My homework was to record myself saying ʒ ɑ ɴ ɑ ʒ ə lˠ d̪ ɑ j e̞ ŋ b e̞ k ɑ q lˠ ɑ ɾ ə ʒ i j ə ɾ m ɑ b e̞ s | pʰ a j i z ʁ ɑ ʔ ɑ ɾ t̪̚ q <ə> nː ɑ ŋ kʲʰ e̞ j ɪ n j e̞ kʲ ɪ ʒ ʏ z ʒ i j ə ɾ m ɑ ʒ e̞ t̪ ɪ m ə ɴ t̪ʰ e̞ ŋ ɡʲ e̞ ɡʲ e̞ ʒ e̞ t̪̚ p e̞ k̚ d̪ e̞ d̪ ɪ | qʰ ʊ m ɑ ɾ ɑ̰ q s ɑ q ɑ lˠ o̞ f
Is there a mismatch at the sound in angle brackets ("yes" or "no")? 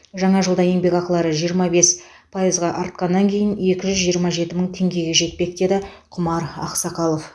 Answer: yes